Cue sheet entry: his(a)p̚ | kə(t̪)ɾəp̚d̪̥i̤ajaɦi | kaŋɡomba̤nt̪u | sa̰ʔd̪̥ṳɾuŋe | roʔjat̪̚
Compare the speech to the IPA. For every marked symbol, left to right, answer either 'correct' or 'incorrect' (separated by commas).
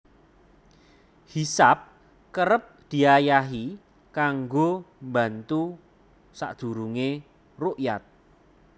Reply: correct, incorrect